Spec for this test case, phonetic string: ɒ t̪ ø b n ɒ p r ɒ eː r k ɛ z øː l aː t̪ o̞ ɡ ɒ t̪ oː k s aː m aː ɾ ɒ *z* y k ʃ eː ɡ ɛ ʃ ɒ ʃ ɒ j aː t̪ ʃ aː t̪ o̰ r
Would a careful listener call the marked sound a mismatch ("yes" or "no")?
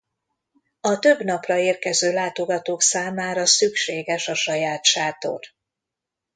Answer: yes